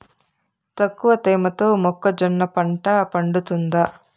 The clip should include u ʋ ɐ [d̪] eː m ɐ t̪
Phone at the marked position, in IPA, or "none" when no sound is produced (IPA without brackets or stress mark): t̪